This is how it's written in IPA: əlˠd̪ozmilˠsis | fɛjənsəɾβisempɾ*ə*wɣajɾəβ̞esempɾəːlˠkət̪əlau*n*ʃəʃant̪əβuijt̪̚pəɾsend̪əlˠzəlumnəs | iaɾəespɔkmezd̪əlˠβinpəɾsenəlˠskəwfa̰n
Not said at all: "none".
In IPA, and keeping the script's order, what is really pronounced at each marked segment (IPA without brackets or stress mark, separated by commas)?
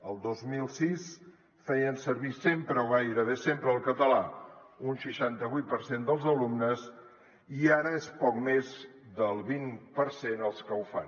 ə, n